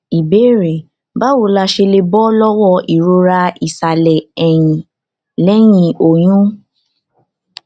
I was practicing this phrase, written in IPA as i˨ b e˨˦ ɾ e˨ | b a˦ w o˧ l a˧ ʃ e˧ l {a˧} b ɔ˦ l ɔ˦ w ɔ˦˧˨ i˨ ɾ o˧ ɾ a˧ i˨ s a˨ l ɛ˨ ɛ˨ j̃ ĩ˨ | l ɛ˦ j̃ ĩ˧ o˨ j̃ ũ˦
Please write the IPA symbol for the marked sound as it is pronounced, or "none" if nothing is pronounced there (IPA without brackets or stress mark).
e˧